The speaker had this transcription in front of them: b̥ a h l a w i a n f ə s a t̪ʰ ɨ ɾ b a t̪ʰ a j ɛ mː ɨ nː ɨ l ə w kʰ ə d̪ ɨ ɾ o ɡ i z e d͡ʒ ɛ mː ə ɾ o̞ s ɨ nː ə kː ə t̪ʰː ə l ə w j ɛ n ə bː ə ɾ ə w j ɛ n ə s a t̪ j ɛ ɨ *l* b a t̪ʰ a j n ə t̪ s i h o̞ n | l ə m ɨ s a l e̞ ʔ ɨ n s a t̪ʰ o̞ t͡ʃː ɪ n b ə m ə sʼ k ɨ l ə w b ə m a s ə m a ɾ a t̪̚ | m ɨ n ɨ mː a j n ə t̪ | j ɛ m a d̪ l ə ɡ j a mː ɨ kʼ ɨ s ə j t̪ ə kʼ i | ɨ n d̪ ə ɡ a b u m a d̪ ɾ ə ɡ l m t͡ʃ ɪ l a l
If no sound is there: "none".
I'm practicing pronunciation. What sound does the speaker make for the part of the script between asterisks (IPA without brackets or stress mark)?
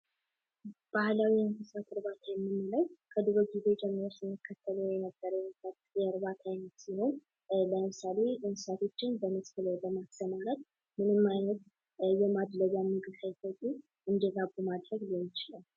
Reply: ɾ